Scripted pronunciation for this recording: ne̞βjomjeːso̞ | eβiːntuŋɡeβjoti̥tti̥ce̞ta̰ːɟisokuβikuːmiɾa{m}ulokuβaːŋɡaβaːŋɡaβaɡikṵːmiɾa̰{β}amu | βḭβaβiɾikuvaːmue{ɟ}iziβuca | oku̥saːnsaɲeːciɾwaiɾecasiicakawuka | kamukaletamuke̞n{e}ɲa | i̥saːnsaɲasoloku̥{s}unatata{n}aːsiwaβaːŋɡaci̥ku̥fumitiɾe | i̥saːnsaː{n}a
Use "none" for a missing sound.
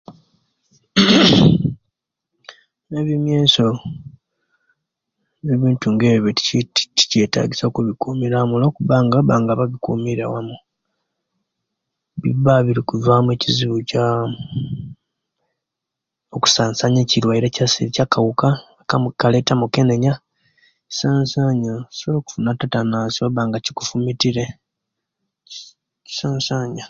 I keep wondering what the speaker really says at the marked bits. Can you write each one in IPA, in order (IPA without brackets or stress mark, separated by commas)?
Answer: m, w, c, e, f, n, ɲ